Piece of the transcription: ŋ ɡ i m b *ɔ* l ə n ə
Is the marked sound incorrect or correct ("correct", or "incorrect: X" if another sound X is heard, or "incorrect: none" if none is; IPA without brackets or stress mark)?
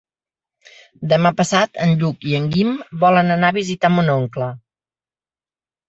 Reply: correct